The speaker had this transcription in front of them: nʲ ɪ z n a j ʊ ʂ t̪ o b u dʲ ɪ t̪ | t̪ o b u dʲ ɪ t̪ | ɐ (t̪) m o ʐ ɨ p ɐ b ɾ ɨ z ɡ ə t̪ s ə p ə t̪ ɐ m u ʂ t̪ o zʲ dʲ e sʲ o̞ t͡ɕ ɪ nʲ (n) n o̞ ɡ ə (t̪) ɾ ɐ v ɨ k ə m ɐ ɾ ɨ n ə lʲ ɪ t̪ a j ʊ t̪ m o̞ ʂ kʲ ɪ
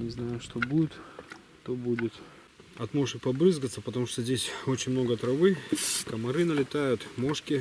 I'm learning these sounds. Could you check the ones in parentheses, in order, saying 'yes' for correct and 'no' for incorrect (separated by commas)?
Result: yes, no, yes